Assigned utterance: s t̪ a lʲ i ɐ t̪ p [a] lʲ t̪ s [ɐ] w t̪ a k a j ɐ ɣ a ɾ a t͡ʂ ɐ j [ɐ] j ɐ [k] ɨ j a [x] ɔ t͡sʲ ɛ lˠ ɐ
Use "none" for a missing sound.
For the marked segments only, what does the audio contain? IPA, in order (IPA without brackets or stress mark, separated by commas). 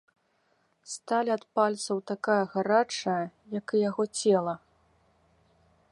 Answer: a, ɐ, ɐ, k, ɣ